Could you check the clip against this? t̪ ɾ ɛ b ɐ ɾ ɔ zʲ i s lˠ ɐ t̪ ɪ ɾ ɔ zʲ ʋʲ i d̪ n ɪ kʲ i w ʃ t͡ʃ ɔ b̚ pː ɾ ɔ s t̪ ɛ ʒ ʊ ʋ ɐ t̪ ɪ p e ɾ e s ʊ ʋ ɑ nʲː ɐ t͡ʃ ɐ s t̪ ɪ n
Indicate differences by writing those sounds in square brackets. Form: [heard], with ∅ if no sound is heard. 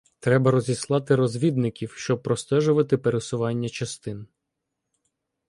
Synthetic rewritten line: t̪ ɾ ɛ b ɐ ɾ ɔ zʲ i s lˠ [ɑ] t̪ ɪ ɾ ɔ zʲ ʋʲ i d̪ n ɪ kʲ i w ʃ t͡ʃ ɔ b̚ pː ɾ ɔ s t̪ ɛ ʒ ʊ ʋ ɐ t̪ ɪ p e ɾ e s ʊ ʋ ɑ nʲː ɐ t͡ʃ ɐ s t̪ ɪ n

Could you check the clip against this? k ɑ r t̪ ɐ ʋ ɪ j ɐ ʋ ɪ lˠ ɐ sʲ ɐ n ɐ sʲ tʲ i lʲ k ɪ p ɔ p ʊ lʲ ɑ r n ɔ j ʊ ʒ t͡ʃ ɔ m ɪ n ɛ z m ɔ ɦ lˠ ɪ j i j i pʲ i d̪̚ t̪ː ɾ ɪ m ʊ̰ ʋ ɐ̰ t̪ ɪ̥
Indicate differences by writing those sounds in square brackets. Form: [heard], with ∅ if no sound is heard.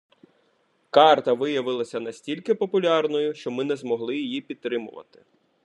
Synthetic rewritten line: k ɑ r t̪ ɐ ʋ ɪ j ɐ ʋ ɪ lˠ ɐ sʲ ɐ n ɐ sʲ tʲ i lʲ k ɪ p ɔ p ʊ lʲ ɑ r n ɔ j ʊ [ʃ] t͡ʃ ɔ m ɪ n ɛ z m ɔ ɦ lˠ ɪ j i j i pʲ i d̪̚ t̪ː ɾ ɪ m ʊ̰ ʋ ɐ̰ t̪ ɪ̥

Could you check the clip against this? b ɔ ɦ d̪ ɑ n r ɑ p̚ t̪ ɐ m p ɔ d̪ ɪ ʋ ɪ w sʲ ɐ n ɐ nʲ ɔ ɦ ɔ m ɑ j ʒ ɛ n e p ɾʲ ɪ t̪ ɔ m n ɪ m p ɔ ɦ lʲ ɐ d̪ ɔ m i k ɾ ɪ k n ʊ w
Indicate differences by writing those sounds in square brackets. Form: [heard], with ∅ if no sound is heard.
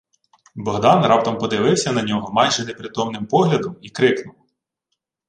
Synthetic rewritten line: b ɔ ɦ d̪ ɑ n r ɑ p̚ t̪ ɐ m p ɔ d̪ ɪ ʋ ɪ w sʲ ɐ n ɐ nʲ ɔ ɦ ɔ m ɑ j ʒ ɛ n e p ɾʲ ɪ t̪ ɔ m n ɪ m p ɔ ɦ lʲ ɐ d̪ ɔ m i k ɾ ɪ k n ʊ w

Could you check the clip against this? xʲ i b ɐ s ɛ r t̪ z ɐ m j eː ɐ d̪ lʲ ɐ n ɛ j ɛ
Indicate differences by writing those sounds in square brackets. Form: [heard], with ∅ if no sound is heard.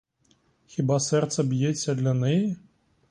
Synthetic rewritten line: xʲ i b [a] s ɛ r t̪ [s] ɐ [b] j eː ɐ d̪ lʲ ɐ n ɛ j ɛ

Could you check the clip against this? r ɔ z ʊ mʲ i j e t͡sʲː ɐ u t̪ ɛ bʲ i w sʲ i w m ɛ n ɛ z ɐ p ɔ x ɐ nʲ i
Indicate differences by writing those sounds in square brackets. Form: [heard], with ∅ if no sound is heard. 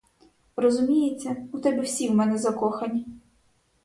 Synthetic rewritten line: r ɔ z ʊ mʲ i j e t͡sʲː ɐ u t̪ ɛ bʲ i w sʲ i w m ɛ n ɛ z ɐ [k] ɔ x ɐ nʲ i

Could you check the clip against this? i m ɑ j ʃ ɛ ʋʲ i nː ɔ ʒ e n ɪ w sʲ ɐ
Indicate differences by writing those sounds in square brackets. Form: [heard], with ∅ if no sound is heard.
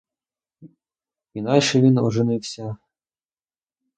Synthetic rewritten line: i [n] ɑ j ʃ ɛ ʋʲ i [n] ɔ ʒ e n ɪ w sʲ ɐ

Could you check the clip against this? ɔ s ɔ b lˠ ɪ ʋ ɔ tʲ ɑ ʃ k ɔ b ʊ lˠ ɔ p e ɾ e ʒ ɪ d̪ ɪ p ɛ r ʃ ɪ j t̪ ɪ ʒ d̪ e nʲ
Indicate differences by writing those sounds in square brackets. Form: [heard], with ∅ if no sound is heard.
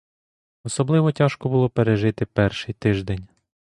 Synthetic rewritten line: ɔ s ɔ b lˠ ɪ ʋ ɔ tʲ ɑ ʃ k ɔ b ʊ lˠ ɔ p e ɾ e ʒ ɪ [t̪] ɪ p ɛ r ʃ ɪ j t̪ ɪ ʒ d̪ e nʲ

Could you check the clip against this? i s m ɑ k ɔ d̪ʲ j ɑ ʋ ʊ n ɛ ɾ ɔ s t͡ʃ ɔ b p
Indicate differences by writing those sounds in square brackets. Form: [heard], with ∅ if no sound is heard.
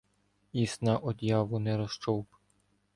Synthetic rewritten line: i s [n] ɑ [ʔ] ɔ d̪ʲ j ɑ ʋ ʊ n ɛ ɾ ɔ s t͡ʃ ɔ [w] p

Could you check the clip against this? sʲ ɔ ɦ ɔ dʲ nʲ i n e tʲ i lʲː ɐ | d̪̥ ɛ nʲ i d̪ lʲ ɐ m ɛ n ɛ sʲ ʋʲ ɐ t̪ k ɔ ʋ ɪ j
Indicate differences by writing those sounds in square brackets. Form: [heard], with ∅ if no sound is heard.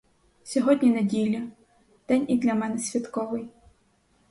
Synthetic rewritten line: sʲ ɔ ɦ ɔ dʲ nʲ i n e [dʲ] i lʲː ɐ | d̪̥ ɛ nʲ i d̪ lʲ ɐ m ɛ n ɛ sʲ ʋʲ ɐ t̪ k ɔ ʋ ɪ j

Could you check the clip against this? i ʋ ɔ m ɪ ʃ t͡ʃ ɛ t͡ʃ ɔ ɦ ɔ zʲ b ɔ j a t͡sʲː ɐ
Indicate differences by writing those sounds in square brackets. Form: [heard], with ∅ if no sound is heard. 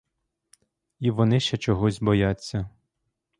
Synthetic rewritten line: i ʋ ɔ [n] ɪ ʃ t͡ʃ ɛ t͡ʃ ɔ ɦ ɔ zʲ b ɔ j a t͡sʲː ɐ

